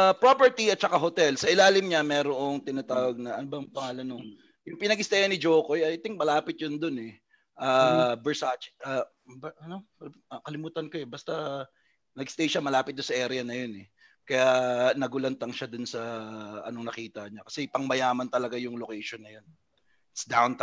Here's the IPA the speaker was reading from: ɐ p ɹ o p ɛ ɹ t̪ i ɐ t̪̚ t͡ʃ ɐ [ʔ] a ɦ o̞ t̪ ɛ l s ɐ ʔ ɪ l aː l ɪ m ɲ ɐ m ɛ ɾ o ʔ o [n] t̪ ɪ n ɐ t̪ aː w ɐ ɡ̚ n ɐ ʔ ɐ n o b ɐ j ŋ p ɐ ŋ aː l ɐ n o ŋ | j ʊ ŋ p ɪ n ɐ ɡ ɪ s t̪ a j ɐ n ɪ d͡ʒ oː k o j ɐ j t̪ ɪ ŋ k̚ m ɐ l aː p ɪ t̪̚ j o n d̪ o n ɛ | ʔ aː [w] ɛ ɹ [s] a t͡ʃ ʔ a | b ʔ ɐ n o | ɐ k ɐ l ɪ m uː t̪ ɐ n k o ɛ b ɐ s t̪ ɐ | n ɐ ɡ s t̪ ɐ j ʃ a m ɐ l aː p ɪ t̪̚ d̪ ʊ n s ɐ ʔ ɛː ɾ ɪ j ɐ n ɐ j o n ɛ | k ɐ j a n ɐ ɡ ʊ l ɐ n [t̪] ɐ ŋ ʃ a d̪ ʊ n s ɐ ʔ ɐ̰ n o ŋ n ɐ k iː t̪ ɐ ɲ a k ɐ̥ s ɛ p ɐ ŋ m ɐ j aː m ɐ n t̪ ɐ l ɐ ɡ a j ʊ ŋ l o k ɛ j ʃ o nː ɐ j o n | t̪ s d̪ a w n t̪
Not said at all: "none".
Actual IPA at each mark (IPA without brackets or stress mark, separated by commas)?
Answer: k, ŋ, b, s, t̪